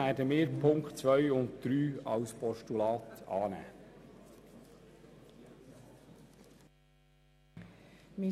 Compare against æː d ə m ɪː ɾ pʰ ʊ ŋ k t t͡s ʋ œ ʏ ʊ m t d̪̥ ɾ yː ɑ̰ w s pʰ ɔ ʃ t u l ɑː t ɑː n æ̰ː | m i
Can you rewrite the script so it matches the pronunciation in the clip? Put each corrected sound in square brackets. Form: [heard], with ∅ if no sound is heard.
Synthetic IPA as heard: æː d ə m ɪː ɾ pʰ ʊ ŋ k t t͡s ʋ œ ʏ ʊ [n] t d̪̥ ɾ yː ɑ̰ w s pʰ ɔ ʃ t u l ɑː t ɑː n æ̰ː | m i